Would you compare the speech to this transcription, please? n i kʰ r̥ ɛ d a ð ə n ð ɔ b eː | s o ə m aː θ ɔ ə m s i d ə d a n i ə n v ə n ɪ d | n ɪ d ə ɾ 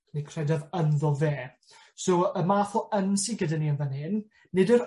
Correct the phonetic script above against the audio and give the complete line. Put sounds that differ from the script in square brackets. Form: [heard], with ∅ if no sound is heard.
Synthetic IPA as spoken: n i kʰ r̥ ɛ d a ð ə n ð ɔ [v] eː | s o ə m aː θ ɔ ə [n] s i [ɡ] ə d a n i ə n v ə n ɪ [n] | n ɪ d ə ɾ